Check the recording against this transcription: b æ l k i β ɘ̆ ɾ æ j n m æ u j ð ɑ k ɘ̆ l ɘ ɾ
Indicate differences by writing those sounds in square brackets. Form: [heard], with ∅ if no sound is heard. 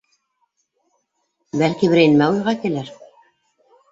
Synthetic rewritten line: b æ l k i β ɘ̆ ɾ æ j n m æ u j [ʁ] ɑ k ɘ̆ l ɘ ɾ